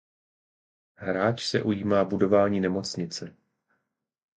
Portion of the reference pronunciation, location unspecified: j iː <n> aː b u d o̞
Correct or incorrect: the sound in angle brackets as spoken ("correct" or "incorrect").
incorrect